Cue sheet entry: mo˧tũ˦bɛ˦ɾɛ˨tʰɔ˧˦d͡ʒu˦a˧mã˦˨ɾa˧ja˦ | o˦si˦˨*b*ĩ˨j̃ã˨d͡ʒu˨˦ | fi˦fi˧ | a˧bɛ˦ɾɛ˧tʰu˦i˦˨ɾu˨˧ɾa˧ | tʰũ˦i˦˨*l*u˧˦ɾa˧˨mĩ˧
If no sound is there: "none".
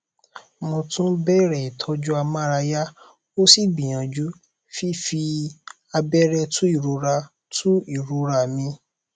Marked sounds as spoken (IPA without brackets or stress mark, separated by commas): b, ɾ